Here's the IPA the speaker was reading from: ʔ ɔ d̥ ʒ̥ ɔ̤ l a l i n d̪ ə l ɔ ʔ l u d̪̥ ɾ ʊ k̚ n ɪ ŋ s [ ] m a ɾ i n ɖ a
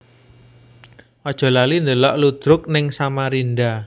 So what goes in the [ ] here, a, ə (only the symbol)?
a